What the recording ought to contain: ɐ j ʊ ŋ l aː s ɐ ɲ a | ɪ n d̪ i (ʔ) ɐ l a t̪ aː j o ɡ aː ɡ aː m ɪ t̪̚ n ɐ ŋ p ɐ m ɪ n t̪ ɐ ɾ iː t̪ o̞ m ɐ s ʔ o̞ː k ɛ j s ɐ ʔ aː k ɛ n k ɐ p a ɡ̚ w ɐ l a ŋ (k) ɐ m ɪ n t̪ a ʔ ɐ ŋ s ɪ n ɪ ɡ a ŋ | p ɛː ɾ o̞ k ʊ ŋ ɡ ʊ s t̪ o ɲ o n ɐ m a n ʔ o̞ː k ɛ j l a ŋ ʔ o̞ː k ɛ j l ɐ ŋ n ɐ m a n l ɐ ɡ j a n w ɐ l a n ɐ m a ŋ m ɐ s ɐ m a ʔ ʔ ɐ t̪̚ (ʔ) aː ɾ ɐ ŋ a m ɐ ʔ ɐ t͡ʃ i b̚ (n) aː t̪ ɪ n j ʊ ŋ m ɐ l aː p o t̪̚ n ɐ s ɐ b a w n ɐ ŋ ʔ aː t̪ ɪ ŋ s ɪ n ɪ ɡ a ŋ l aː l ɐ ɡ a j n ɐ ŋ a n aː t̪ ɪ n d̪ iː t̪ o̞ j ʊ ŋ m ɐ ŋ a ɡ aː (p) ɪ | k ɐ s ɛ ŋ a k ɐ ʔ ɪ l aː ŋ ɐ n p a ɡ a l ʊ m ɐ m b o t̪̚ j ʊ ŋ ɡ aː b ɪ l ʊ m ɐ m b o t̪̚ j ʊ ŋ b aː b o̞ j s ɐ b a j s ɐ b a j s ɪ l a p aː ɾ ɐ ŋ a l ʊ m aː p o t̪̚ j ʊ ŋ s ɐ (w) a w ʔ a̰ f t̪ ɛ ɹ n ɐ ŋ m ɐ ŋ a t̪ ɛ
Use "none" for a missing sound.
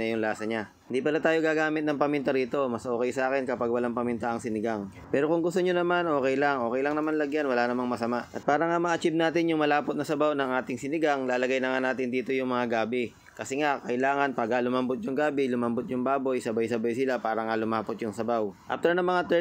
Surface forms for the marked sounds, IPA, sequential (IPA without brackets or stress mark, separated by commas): p, p, p, n, b, b